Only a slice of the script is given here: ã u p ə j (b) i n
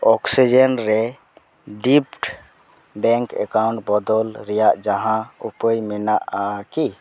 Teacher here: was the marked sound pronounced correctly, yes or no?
no